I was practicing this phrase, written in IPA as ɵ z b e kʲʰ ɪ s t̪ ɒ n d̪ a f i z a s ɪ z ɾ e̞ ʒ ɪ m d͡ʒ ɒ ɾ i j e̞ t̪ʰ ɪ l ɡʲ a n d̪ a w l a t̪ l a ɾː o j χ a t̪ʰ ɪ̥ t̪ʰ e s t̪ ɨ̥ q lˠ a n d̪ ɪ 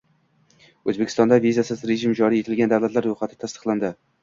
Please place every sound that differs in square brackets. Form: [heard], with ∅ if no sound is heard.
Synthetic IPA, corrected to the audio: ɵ z b e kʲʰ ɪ s t̪ ɒ n d̪ a [v] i z a s ɪ z ɾ e̞ ʒ ɪ m d͡ʒ ɒ ɾ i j e̞ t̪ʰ ɪ l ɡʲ a n d̪ a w l a t̪ l a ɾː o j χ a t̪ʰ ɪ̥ t̪ʰ [a] s t̪ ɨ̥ q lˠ a n d̪ ɪ